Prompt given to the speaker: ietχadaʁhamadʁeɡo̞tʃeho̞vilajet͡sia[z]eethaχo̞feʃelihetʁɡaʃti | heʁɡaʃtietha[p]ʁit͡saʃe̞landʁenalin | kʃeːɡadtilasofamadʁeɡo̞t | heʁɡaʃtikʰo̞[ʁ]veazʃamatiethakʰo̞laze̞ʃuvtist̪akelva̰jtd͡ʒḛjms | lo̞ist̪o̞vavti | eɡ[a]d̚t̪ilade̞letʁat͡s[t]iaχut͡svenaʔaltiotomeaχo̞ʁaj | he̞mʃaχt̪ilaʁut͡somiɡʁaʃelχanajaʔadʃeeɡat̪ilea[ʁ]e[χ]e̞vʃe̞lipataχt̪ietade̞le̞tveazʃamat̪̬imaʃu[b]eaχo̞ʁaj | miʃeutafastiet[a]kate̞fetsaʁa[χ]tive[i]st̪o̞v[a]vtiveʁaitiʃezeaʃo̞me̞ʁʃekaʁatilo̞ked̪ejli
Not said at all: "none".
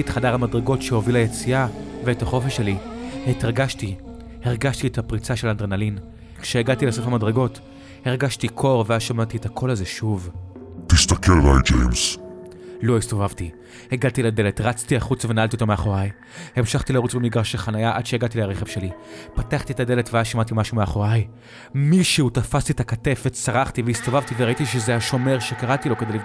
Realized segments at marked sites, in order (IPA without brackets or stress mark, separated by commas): v, p, ʁ, a, t, ʁ, χ, m, a, χ, i, a